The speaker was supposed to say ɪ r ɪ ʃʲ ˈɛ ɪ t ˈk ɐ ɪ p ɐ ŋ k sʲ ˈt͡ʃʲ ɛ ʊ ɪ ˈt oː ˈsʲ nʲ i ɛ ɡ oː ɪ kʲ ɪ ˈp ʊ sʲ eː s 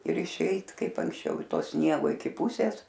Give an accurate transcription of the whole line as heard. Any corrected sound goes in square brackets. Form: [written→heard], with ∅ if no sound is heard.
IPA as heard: ɪ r ɪ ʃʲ ˈɛ ɪ t ˈk ɐ ɪ p ɐ ŋ k sʲ ˈt͡ʃʲ ɛ ʊ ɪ ˈt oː ˈsʲ nʲ i ɛ ɡ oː ɪ kʲ ɪ ˈp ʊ sʲ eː s

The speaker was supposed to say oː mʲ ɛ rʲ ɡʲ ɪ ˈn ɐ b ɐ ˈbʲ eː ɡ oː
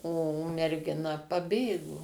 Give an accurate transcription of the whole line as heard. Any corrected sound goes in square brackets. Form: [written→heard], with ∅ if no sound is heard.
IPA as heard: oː mʲ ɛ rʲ ɡʲ ɪ ˈn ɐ [b→p] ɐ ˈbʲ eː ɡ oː

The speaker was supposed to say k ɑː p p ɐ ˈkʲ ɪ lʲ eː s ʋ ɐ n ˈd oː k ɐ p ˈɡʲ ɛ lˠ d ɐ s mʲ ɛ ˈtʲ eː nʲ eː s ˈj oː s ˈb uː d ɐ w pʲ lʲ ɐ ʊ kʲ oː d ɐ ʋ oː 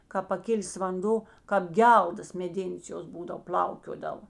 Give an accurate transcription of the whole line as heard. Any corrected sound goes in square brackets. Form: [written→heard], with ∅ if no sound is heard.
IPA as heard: k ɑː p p ɐ ˈkʲ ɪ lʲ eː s ʋ ɐ n ˈd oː k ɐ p ˈɡʲ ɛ lˠ d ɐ s mʲ ɛ [ˈtʲ→ˈdʲ] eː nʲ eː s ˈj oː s ˈb uː d ɐ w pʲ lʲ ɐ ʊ kʲ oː d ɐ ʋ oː

